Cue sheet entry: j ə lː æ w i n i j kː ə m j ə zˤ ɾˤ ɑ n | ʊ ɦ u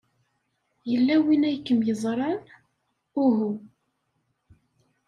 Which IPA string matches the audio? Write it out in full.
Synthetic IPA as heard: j ə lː æ w i n æ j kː ə m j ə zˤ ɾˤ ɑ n | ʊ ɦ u